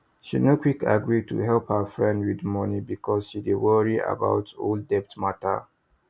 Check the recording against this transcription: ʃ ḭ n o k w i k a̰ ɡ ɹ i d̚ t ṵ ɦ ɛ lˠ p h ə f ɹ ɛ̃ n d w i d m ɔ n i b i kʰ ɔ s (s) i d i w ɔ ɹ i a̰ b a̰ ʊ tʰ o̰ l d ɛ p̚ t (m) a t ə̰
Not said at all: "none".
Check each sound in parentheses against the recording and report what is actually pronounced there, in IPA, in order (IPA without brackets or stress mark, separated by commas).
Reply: ʃ, m